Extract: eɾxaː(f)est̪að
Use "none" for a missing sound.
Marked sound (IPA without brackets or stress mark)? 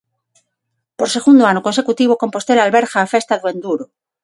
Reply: f